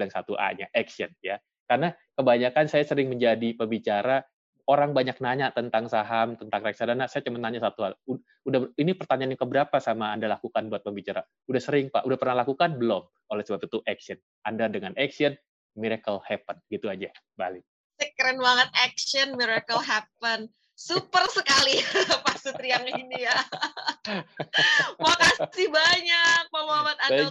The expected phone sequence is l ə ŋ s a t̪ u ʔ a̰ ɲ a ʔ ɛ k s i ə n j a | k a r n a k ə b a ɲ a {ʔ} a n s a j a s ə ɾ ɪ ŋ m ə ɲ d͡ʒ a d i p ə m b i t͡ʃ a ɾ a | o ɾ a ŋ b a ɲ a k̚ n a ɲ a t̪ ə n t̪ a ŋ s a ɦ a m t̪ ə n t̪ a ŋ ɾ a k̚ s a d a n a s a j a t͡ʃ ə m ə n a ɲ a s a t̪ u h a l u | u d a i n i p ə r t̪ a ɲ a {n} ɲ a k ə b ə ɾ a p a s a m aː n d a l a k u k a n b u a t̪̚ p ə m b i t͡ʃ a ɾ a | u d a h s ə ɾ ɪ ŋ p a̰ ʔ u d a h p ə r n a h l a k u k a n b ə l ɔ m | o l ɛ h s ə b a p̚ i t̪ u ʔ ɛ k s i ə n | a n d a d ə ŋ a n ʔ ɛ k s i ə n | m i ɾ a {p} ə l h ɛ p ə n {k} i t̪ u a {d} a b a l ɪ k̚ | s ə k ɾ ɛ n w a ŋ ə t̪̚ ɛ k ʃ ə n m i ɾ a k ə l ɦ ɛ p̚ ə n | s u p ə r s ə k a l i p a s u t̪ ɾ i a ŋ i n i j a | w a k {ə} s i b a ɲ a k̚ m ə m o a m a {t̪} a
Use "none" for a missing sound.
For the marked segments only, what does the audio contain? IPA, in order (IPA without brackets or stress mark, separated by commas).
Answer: k, n, k, ɡ, d͡ʒ, a, t̪